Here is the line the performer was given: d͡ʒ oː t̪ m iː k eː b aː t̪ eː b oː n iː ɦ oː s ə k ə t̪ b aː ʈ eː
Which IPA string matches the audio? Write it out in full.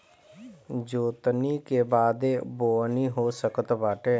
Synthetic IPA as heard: d͡ʒ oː t̪ n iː k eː b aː d̪ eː b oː n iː ɦ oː s ə k ə t̪ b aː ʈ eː